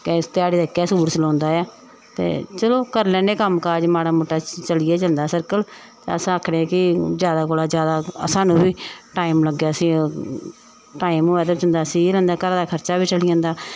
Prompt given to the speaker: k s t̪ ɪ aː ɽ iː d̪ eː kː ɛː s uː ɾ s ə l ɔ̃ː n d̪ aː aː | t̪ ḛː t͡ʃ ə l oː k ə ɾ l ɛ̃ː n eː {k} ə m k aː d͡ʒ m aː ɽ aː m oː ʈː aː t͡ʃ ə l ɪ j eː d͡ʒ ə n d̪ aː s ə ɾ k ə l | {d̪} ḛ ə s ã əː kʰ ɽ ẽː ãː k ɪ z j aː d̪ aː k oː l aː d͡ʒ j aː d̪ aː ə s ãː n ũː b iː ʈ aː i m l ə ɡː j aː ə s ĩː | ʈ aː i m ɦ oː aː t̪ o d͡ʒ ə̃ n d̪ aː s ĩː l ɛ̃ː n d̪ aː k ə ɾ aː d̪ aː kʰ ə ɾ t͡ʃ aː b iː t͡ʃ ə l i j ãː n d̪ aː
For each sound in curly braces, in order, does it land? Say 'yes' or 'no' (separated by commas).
yes, no